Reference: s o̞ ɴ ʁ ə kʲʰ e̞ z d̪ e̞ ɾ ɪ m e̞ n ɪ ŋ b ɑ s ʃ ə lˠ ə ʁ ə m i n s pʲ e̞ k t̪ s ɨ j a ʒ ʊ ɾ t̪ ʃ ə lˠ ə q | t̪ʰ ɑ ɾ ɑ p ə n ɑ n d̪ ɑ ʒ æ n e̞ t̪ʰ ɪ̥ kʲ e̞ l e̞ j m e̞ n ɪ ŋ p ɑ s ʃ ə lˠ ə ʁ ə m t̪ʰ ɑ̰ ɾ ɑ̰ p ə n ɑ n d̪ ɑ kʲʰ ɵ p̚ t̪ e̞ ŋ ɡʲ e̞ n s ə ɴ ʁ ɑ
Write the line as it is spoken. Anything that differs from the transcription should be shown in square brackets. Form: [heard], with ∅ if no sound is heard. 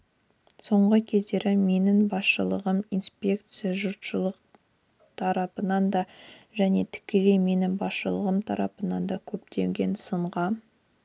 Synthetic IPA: s o̞ ɴ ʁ ə kʲʰ e̞ z d̪ e̞ ɾ ɪ m e̞ n ɪ ŋ b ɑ s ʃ ə lˠ ə ʁ ə m i n s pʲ e̞ k t̪ s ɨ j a ʒ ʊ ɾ t̪ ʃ ə lˠ ə q | t̪ʰ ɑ ɾ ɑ p ə n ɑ n d̪ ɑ ʒ æ n e̞ t̪ʰ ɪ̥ kʲ e̞ l e̞ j m e̞ n ɪ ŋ [b] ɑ s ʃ ə lˠ ə ʁ ə m t̪ʰ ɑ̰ ɾ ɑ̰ p ə n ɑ n d̪ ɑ kʲʰ ɵ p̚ t̪ e̞ ŋ ɡʲ e̞ n s ə ɴ ʁ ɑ